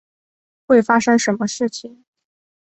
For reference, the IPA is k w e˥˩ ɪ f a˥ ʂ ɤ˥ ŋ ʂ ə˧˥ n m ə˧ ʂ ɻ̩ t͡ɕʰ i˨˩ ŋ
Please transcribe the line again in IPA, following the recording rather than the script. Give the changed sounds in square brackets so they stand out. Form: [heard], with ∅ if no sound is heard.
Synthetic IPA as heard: [x] w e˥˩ ɪ f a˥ ʂ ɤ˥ ŋ ʂ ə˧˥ n m ə˧ ʂ ɻ̩ t͡ɕʰ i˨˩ ŋ